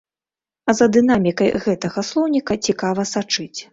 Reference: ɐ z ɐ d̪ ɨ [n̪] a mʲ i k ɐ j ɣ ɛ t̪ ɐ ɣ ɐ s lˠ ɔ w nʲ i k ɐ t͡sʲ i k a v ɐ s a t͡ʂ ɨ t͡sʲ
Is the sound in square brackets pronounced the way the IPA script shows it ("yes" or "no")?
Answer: yes